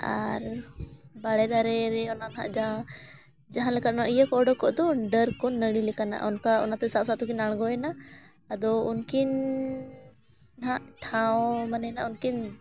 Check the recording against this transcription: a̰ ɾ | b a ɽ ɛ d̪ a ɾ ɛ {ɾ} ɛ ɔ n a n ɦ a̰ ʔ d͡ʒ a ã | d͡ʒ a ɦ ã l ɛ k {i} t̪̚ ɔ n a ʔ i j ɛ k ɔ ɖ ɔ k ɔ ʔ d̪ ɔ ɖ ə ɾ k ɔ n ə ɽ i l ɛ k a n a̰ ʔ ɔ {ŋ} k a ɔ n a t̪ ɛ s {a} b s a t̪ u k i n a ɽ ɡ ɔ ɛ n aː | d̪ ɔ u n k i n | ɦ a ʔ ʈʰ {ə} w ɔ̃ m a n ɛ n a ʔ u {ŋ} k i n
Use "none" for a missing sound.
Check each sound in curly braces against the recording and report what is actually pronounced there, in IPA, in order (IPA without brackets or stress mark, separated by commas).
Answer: ɾ, a, n, a, a, n